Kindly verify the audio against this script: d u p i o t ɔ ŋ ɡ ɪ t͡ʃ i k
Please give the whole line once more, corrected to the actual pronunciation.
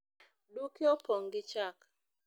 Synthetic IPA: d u k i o p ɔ ŋ ɡ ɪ t͡ʃ a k